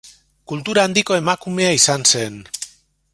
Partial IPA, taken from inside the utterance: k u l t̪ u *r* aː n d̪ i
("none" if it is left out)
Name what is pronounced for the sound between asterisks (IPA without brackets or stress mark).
ɾ